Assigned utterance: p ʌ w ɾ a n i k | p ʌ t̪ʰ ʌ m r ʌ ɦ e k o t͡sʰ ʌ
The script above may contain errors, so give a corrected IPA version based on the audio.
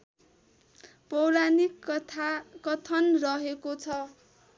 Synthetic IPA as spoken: p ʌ w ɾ a n i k | k ʌ t̪ʰ ʌ n r ʌ ɦ e k o t͡sʰ ʌ